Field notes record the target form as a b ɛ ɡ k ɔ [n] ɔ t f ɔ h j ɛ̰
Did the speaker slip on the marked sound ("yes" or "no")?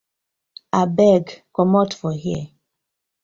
yes